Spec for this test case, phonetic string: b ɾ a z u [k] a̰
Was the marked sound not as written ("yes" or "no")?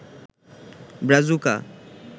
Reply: no